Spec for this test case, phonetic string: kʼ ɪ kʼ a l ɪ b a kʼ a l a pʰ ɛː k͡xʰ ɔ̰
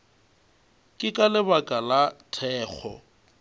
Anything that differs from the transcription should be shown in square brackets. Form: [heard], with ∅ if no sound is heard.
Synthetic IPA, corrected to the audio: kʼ ɪ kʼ a l ɪ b a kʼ a l a [tʰ] ɛː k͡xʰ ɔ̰

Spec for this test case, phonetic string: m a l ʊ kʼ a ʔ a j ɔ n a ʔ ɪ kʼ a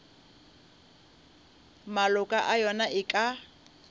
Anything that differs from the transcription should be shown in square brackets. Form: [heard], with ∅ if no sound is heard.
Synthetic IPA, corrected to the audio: m a l ʊ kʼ a ʔ a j ɔ n a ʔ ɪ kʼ a

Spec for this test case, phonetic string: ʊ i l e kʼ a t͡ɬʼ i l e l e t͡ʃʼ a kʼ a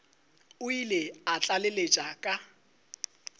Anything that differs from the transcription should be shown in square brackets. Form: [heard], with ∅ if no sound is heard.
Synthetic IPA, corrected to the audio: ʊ i l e [∅] a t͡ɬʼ [a] l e l e t͡ʃʼ a kʼ a

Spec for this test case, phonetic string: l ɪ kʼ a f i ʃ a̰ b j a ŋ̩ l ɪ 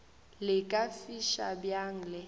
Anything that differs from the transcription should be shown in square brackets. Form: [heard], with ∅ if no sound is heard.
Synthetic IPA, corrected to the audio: l ɪ kʼ a f i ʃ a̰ b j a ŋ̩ l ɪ

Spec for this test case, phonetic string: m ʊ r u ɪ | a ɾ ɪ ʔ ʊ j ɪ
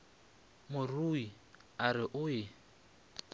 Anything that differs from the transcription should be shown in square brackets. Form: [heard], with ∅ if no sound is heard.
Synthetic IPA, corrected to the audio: m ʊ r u [i] | a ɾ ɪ ʔ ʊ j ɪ

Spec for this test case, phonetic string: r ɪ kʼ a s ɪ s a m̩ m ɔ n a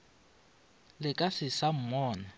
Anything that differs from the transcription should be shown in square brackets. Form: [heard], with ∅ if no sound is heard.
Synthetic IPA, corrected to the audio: [l] ɪ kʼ a s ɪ s a m̩ m [ɔː] n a

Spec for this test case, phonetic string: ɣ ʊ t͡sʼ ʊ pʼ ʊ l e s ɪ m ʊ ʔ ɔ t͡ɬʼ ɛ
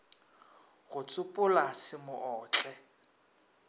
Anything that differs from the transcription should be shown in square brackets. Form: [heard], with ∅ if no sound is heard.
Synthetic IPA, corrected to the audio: ɣ ʊ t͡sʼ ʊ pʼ ʊ l [a] s ɪ m ʊ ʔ [ɔː] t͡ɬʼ ɛ

